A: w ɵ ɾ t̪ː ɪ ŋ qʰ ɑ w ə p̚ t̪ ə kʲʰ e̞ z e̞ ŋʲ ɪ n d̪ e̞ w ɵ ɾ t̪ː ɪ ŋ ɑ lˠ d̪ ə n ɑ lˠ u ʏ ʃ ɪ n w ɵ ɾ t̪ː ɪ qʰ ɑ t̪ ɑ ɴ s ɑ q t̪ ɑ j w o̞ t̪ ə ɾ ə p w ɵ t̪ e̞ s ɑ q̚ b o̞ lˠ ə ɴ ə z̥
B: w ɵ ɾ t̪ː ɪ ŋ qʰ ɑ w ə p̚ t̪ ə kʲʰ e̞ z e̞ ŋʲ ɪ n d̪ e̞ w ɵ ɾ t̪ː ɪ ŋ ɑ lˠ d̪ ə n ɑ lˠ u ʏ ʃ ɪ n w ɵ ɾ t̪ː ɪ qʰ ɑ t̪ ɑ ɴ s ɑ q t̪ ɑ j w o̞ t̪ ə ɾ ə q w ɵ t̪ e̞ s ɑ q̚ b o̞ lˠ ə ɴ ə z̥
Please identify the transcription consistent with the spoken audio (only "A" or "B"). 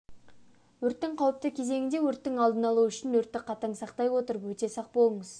A